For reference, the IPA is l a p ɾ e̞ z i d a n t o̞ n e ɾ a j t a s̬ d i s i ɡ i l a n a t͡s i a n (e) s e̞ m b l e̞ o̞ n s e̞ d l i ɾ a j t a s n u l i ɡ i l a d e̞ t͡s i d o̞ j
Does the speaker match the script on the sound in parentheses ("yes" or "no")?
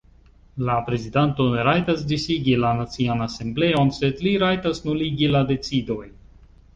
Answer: no